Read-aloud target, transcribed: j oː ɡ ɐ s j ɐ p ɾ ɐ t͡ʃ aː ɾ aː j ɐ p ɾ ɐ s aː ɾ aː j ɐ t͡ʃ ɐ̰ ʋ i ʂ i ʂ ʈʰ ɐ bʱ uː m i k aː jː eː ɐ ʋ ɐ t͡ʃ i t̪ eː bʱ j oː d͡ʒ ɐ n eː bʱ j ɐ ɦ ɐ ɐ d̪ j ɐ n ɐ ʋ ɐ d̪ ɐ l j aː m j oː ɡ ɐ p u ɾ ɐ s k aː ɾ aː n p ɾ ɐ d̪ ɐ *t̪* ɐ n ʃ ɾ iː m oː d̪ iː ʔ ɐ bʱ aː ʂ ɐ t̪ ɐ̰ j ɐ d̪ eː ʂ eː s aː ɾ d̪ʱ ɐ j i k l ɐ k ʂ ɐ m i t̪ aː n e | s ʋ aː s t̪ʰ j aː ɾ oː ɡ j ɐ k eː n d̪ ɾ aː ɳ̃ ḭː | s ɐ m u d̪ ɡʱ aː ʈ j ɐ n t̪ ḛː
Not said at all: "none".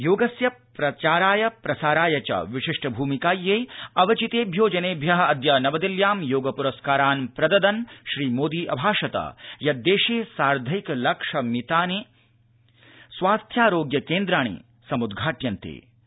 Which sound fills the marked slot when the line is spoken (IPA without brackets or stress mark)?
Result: d̪